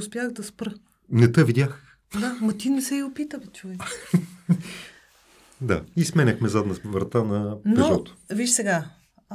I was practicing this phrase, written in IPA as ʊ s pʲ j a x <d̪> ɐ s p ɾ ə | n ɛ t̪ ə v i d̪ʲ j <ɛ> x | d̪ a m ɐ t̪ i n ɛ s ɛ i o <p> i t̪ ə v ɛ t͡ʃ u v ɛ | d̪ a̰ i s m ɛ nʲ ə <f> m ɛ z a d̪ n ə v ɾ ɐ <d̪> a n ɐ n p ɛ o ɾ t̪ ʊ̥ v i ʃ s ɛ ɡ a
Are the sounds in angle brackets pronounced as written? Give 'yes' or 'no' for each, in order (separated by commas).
yes, no, yes, no, no